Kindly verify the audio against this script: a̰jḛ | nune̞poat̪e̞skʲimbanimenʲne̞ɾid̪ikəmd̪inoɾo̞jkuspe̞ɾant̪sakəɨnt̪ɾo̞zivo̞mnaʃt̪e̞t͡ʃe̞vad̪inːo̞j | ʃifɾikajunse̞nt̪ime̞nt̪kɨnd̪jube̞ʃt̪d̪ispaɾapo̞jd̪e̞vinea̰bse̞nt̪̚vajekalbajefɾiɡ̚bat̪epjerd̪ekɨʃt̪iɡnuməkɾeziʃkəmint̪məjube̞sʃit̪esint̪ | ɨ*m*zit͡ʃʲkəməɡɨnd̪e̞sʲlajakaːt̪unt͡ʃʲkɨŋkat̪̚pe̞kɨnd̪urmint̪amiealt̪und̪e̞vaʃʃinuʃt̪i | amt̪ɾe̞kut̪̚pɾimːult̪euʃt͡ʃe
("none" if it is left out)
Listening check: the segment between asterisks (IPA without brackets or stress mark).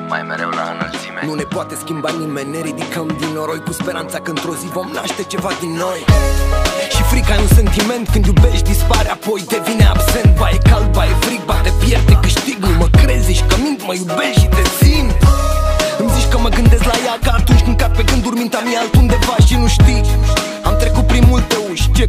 m